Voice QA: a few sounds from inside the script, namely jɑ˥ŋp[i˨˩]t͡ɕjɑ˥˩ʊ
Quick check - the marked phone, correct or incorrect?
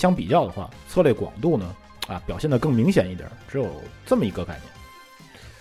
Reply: correct